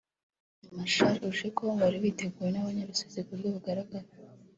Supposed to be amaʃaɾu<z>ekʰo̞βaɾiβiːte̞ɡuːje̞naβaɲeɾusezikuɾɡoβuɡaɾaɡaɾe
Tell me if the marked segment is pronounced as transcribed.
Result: no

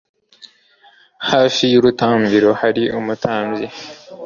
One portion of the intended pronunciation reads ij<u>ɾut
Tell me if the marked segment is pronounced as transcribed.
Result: yes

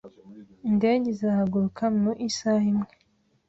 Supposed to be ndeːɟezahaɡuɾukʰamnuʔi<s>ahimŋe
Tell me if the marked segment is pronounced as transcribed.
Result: yes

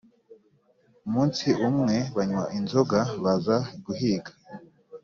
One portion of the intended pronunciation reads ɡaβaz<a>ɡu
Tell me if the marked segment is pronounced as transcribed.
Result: yes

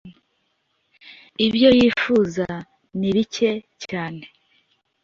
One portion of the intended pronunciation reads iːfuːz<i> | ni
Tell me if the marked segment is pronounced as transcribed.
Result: no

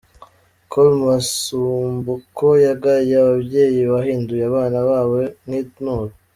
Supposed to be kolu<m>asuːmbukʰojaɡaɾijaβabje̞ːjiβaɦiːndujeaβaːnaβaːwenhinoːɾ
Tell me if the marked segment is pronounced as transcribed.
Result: yes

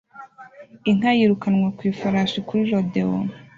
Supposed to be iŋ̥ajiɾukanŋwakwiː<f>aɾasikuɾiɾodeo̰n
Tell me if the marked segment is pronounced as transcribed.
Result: yes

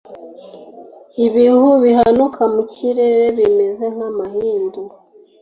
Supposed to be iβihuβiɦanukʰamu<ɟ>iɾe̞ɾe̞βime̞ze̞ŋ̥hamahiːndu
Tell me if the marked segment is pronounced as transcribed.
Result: no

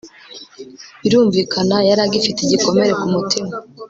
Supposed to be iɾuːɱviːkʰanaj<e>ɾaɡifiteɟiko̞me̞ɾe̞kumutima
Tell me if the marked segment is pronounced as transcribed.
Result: no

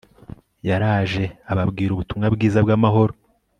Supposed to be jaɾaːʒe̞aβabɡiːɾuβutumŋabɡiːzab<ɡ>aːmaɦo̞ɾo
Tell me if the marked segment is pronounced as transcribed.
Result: yes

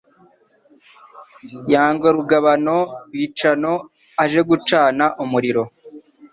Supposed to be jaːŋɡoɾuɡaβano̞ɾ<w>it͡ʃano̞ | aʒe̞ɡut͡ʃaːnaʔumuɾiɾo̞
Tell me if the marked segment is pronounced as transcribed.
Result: yes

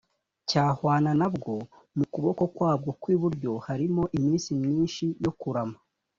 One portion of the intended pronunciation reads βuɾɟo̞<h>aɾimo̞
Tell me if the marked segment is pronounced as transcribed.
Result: yes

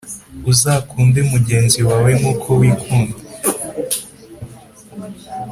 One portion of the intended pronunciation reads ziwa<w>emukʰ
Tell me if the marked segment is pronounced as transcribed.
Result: yes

